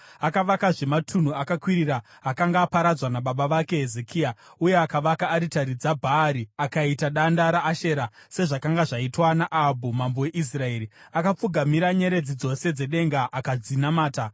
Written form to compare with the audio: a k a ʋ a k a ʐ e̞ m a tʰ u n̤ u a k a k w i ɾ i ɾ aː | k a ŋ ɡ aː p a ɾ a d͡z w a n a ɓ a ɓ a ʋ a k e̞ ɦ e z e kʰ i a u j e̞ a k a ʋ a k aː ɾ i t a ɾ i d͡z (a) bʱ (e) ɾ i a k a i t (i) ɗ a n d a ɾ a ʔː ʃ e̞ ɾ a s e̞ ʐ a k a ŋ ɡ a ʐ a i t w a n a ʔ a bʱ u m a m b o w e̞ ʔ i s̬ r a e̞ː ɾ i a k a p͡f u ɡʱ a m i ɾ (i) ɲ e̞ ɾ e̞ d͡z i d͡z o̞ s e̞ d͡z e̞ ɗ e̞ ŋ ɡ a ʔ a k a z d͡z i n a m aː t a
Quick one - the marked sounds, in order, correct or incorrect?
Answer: correct, incorrect: a, incorrect: a, incorrect: a

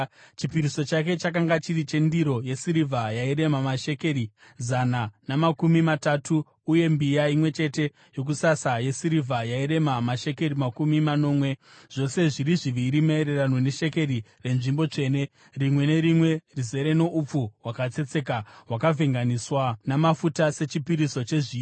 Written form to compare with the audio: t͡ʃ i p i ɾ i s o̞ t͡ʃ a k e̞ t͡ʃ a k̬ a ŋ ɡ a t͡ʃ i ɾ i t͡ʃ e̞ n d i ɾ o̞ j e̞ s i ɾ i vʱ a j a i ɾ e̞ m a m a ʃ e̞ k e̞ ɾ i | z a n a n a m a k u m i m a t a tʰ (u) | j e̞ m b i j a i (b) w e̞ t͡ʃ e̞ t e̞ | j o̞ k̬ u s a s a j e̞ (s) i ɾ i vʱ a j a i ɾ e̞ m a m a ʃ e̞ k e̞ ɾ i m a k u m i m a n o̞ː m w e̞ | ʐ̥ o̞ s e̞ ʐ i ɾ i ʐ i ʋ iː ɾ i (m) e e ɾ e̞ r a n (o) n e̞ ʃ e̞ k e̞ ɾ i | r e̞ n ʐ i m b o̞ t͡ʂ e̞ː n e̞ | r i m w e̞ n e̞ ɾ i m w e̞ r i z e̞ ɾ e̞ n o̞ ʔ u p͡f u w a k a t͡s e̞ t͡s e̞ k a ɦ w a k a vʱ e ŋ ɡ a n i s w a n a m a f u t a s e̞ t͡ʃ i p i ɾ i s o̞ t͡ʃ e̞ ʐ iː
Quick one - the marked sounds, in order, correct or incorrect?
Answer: incorrect: uː, incorrect: m, correct, correct, correct

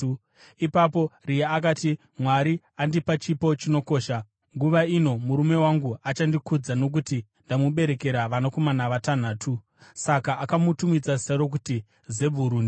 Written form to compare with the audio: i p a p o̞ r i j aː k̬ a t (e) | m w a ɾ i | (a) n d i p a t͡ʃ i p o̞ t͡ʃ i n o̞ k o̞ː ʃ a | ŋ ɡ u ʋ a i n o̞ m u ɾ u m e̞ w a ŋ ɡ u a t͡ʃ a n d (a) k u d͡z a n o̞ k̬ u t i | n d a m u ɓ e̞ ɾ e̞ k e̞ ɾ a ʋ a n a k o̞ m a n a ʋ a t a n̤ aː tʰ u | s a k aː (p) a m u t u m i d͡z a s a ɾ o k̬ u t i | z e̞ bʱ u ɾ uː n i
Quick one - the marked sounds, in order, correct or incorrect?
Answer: incorrect: i, correct, incorrect: i, incorrect: k

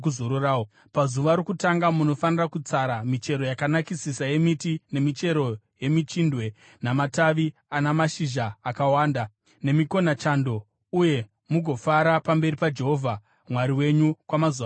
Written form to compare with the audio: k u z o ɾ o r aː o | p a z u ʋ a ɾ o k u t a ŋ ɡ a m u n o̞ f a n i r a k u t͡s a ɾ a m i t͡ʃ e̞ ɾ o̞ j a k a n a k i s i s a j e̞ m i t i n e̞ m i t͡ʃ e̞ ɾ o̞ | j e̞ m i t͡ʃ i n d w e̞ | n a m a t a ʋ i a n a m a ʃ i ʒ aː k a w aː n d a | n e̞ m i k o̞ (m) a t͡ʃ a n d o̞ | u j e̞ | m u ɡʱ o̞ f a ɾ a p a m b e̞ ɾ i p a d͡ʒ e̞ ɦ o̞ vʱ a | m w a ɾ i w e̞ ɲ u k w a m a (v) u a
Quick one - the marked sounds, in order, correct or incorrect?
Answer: incorrect: n, incorrect: z

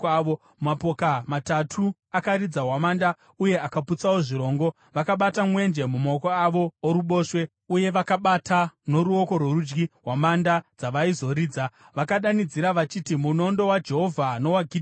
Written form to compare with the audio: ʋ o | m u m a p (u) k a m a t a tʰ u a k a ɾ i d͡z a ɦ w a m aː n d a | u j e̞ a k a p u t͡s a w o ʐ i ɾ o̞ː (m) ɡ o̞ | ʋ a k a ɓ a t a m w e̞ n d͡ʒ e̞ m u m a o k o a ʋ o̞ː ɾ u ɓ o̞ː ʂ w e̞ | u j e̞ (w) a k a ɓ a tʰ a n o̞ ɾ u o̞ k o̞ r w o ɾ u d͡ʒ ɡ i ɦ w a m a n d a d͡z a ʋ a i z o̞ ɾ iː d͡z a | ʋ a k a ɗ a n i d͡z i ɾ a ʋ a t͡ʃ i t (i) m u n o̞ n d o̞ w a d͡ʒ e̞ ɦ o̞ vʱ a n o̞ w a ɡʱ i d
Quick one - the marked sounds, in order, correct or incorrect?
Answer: incorrect: o, incorrect: ŋ, incorrect: ʋ, correct

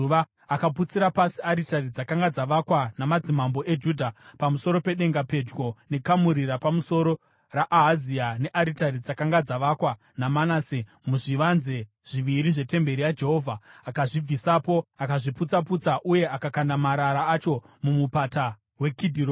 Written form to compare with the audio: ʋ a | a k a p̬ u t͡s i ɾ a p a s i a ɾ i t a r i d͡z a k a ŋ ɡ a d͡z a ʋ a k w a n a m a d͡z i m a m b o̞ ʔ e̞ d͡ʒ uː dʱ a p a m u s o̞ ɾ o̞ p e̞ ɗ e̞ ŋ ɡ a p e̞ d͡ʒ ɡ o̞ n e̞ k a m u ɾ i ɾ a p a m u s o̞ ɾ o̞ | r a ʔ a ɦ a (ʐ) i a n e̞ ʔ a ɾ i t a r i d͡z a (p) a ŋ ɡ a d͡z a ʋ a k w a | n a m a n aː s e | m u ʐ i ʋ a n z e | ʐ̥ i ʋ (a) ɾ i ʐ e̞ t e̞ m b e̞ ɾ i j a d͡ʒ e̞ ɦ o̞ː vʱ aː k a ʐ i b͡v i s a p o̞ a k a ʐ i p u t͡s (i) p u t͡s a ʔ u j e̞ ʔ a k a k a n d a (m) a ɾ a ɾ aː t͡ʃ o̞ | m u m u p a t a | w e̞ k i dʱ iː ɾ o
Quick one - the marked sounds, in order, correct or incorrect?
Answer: incorrect: z, incorrect: k, incorrect: i, incorrect: a, correct

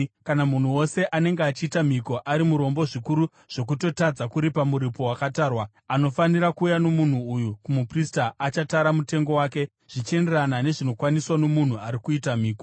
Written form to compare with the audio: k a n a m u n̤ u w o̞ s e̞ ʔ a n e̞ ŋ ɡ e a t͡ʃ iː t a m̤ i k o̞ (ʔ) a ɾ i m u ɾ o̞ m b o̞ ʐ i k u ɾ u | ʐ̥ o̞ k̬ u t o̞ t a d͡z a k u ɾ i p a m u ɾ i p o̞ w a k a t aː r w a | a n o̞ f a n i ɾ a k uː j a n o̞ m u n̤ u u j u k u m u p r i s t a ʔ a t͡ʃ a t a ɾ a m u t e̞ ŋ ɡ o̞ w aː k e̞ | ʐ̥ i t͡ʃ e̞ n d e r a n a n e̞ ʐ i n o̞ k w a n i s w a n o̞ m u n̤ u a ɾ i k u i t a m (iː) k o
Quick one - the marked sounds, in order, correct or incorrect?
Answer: correct, correct

